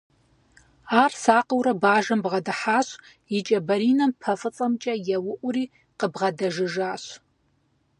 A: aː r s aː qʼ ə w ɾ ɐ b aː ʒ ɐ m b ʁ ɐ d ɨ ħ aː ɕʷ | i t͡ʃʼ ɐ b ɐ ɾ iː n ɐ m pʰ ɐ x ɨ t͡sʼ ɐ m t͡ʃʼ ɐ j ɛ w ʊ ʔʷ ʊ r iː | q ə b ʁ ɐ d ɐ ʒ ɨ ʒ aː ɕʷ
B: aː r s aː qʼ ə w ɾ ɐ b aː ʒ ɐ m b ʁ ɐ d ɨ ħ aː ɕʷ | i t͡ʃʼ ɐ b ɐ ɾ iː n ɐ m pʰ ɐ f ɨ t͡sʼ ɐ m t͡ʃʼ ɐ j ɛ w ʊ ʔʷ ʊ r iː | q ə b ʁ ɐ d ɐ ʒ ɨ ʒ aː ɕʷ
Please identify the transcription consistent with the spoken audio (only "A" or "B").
B